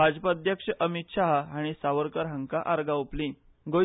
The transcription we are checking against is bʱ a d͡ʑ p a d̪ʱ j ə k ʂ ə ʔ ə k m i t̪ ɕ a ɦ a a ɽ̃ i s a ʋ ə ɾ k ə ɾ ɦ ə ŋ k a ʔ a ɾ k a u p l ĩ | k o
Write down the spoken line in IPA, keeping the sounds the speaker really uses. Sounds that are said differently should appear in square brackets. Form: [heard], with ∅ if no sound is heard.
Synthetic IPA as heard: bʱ a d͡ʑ p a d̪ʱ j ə k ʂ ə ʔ ə [∅] m i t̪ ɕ a ɦ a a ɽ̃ i s a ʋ ə ɾ k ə ɾ ɦ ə ŋ k a ʔ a ɾ [ɡ] a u p l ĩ | [ɡ] o